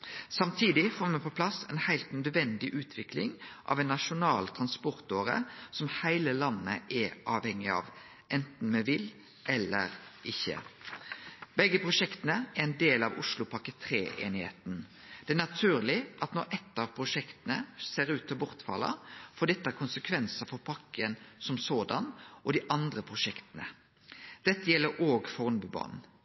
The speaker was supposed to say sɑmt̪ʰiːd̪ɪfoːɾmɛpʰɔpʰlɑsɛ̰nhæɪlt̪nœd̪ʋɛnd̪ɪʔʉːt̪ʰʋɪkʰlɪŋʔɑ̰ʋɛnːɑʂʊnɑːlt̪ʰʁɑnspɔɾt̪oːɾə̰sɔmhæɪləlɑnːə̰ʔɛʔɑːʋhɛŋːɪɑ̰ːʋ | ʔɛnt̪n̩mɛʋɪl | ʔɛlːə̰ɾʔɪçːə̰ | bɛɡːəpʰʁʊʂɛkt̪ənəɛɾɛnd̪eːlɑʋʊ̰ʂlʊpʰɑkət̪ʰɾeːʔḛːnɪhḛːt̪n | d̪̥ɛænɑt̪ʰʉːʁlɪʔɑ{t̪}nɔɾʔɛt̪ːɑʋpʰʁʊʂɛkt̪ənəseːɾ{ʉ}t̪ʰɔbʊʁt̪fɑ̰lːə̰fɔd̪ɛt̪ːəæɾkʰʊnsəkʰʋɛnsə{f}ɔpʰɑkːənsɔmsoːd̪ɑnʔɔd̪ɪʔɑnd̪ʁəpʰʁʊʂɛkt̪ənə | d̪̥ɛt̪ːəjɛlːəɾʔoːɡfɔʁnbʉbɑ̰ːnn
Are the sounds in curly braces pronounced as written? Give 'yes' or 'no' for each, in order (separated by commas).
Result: yes, no, yes